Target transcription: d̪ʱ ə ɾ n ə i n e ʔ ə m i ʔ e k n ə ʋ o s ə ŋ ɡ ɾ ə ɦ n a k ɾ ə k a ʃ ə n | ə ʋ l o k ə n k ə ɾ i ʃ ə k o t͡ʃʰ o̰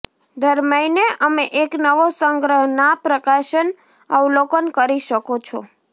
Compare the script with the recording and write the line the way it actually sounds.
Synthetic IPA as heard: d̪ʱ ə ɾ m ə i n e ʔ ə m e ʔ e k n ə ʋ o s ə ŋ ɡ ɾ ə ɦ n a p ɾ ə k a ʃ ə n | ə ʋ l o k ə n k ə ɾ i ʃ ə k o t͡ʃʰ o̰